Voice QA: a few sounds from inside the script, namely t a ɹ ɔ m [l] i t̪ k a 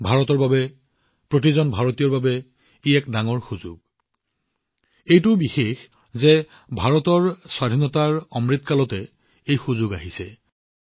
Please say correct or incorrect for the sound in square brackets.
incorrect